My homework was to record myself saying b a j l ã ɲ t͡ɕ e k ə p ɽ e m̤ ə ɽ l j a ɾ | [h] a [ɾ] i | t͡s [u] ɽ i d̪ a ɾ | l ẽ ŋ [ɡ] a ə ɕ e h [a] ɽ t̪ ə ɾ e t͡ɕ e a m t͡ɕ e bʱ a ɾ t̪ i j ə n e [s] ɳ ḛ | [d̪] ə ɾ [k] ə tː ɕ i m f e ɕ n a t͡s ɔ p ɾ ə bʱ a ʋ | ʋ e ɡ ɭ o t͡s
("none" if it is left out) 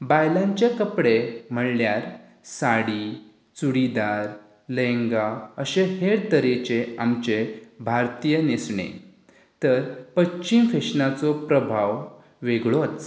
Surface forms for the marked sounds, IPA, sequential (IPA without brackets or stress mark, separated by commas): s, ɽ, u, ɡ, e, s, t̪, p